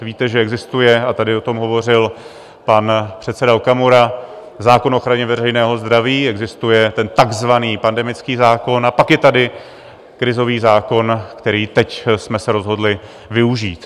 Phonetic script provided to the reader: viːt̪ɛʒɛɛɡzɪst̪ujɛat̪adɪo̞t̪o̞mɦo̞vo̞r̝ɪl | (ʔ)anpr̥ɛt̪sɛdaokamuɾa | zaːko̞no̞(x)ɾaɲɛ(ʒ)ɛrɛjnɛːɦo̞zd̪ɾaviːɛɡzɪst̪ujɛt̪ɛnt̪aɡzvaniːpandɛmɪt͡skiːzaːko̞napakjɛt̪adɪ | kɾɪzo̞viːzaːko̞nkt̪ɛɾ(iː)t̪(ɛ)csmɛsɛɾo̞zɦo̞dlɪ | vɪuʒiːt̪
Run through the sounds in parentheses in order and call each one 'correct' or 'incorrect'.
incorrect, correct, incorrect, correct, correct

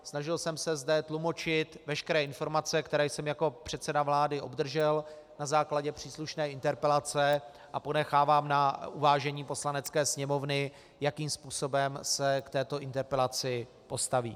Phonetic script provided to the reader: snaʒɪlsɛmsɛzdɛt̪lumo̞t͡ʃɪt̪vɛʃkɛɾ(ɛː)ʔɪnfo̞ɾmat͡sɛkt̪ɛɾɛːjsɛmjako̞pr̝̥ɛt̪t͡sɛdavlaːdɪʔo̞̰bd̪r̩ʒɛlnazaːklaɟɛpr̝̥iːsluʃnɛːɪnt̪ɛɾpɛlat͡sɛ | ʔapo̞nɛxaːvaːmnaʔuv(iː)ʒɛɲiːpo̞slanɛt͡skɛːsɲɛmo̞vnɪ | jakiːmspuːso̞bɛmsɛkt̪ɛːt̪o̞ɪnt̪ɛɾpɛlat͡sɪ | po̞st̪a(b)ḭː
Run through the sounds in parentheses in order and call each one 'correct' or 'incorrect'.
correct, incorrect, incorrect

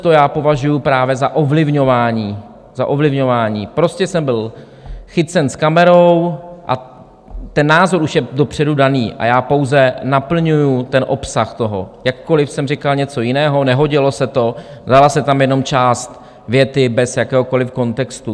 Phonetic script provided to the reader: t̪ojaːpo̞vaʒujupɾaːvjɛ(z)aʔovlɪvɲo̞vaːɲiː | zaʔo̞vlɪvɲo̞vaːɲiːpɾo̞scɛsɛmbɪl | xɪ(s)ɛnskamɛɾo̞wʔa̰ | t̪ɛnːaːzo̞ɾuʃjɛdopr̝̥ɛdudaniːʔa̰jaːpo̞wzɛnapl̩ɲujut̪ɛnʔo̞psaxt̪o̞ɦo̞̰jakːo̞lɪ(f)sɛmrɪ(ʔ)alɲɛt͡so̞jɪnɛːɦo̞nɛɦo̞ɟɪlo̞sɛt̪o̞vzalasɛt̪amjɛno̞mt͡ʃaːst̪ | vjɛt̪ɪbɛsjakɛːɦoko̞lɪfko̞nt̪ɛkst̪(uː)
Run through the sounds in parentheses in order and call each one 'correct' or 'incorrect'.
correct, incorrect, correct, incorrect, incorrect

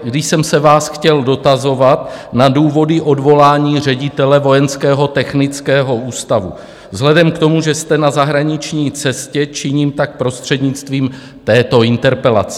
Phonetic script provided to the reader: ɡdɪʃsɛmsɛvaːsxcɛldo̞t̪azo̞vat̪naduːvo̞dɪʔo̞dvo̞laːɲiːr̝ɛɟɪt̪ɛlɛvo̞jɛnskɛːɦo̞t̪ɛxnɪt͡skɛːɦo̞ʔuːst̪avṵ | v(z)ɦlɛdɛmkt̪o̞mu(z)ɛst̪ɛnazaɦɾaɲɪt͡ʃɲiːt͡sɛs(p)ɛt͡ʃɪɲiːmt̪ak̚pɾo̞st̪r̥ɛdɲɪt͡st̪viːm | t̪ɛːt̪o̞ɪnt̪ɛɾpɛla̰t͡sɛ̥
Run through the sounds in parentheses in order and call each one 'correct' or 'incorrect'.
correct, incorrect, incorrect

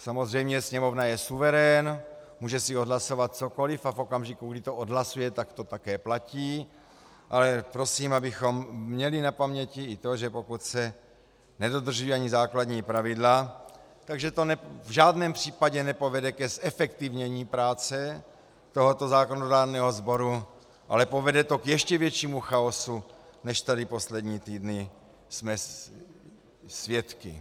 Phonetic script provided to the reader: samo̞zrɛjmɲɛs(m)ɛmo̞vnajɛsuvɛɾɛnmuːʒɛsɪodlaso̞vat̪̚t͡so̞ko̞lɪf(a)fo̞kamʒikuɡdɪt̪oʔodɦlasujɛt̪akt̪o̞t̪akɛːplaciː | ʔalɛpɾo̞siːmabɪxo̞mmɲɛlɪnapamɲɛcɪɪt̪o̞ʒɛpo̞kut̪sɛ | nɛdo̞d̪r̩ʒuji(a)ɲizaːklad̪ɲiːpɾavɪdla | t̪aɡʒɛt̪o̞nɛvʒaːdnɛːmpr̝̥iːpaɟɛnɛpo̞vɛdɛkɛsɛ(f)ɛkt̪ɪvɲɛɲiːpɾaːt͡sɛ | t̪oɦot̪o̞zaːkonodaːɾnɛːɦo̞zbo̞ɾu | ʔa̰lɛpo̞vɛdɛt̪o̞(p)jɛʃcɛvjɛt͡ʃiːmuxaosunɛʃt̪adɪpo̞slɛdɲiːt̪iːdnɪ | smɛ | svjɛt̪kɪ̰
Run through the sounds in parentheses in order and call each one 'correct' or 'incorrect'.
incorrect, correct, correct, correct, incorrect

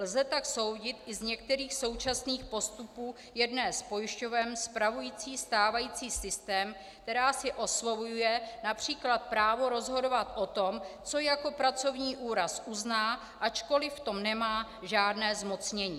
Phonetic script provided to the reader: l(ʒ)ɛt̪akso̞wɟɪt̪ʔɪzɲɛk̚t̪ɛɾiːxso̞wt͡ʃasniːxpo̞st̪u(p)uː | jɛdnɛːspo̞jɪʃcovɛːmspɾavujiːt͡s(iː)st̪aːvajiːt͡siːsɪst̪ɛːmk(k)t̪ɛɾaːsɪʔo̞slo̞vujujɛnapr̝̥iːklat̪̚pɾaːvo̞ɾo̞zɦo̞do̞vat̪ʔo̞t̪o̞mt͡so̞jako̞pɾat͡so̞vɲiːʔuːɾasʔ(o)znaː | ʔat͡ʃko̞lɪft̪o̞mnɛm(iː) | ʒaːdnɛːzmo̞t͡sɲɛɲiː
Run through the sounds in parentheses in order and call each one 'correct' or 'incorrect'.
incorrect, correct, correct, correct, incorrect, incorrect

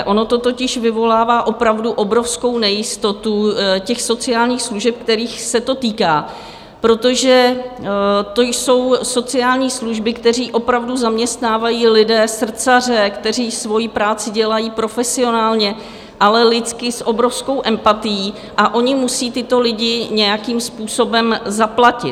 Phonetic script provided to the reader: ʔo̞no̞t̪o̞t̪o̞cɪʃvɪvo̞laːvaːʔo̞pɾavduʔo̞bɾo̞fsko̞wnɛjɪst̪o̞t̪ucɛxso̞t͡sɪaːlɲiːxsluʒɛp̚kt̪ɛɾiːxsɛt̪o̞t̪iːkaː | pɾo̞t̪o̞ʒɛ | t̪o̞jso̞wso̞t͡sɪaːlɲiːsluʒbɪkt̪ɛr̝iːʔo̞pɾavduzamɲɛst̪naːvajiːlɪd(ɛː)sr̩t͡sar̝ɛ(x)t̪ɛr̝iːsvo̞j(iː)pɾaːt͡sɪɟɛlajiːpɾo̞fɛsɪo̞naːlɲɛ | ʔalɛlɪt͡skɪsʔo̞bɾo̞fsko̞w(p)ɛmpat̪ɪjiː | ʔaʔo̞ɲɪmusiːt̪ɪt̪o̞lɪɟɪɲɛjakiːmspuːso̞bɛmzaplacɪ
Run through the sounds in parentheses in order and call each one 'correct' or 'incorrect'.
correct, incorrect, incorrect, incorrect

